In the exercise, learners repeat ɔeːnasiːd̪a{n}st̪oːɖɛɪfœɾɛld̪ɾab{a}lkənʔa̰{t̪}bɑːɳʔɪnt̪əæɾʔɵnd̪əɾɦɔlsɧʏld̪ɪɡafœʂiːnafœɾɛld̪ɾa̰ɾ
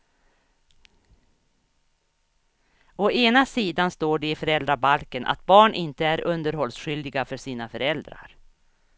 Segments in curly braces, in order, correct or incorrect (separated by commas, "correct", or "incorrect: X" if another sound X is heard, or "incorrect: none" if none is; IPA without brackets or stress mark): correct, correct, correct